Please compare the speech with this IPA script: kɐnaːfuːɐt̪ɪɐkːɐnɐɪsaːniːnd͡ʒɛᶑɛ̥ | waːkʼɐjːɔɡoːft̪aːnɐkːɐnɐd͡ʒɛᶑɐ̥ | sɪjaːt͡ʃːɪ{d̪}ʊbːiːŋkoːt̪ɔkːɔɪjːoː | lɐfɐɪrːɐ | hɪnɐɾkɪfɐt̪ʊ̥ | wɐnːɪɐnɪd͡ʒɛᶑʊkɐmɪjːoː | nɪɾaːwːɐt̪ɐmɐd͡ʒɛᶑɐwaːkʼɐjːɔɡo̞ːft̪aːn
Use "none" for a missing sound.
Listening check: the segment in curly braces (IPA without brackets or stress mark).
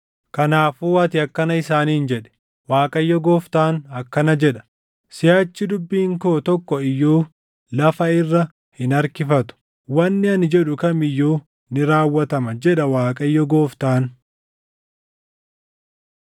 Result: d̪